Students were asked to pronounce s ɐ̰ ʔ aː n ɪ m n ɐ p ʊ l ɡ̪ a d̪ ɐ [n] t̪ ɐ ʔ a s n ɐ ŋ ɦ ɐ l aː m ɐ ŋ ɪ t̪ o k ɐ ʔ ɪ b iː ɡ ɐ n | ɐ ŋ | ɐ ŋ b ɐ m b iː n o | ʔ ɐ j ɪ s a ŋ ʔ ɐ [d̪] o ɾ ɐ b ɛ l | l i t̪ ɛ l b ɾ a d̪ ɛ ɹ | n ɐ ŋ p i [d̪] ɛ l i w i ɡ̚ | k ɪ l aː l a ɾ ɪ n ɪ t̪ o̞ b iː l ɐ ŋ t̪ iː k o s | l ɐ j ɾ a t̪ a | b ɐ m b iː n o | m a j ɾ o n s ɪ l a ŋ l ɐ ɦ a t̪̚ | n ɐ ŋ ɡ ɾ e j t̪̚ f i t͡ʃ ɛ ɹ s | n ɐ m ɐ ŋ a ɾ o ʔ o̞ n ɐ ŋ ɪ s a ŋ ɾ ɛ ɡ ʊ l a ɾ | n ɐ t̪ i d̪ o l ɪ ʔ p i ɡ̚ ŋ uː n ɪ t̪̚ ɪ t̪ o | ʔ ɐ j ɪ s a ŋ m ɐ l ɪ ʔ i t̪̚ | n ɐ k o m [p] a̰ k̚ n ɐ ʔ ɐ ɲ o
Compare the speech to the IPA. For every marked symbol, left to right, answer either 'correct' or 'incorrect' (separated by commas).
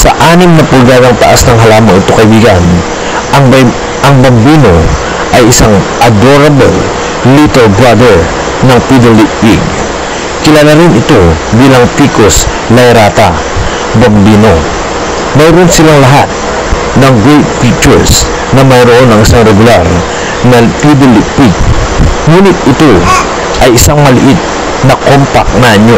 incorrect, correct, correct, correct